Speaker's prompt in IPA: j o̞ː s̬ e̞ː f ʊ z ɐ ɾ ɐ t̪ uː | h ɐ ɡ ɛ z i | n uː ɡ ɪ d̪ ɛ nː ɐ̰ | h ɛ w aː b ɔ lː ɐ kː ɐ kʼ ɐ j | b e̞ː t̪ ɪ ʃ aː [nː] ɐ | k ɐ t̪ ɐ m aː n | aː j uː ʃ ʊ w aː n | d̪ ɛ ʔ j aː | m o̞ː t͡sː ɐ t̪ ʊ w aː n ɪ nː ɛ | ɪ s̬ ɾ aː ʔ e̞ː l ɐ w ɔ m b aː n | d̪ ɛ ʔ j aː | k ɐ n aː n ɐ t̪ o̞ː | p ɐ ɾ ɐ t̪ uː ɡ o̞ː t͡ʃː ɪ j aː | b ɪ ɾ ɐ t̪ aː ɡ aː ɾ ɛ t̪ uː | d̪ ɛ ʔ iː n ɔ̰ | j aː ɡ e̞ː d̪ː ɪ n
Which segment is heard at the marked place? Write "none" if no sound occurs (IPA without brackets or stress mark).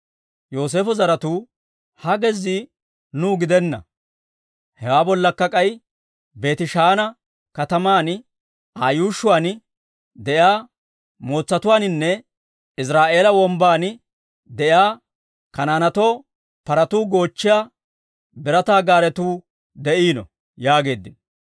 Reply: n